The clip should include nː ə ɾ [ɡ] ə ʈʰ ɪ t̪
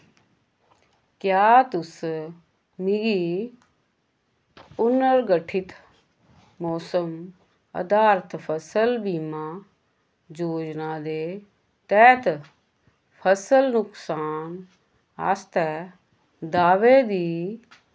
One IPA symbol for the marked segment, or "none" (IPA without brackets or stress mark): ɡ